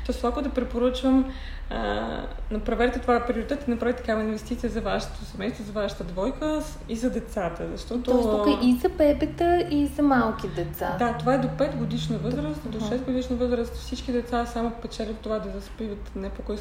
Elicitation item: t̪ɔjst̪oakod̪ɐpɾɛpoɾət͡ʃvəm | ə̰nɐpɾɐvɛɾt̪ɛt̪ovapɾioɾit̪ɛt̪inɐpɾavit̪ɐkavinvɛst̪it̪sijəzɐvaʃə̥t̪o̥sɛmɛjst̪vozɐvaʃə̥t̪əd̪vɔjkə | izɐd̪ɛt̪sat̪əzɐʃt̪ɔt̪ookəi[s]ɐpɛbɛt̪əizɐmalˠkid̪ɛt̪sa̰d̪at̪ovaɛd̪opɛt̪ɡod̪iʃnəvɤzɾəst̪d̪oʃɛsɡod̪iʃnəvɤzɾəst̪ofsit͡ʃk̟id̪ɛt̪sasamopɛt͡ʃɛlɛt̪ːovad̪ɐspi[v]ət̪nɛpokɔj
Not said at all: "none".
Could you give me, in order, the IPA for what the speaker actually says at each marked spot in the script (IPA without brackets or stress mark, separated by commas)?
z, v